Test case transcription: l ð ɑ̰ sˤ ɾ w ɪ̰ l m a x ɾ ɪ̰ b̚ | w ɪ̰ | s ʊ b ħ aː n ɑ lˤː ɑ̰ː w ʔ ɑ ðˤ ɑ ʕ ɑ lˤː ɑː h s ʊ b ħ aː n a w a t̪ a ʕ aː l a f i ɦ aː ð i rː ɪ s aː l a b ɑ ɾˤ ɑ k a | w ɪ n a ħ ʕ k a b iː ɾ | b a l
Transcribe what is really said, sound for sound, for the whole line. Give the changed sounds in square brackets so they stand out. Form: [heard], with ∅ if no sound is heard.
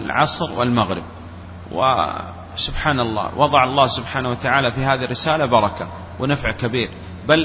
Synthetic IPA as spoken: l [ʕ] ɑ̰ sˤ ɾ w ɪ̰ l m a [ɣ] ɾ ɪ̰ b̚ | w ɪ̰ | s ʊ b ħ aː n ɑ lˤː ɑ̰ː w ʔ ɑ ðˤ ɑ ʕ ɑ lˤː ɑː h s ʊ b ħ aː n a w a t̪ a ʕ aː l a f i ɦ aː ð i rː ɪ s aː l a b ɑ ɾˤ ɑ k a | w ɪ n a [f] ʕ k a b iː ɾ | b a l